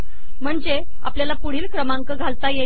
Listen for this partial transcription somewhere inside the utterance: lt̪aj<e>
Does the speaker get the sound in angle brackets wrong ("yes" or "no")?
no